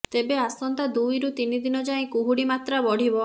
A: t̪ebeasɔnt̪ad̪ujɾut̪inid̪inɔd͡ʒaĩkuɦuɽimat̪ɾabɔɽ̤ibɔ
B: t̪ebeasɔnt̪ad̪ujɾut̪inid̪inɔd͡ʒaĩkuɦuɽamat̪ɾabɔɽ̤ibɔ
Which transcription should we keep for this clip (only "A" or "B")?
A